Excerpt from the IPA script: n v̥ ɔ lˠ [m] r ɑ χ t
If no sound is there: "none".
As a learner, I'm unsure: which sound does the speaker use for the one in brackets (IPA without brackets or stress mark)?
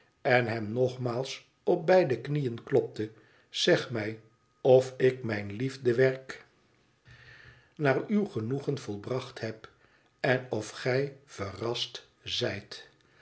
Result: b